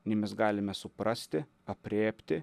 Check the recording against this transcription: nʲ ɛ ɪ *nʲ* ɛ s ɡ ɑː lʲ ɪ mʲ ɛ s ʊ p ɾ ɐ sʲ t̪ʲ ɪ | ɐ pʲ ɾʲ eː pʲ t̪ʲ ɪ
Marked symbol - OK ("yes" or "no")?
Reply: no